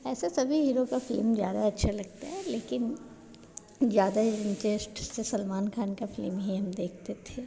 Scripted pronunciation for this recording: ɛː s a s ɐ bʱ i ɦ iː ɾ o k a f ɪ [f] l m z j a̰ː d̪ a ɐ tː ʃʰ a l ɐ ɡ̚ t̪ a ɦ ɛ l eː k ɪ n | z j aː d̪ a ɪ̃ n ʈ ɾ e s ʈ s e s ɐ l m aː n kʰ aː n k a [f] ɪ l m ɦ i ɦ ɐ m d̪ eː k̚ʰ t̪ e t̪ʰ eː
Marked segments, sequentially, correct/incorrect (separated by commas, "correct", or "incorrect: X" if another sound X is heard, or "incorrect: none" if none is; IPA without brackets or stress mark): incorrect: none, correct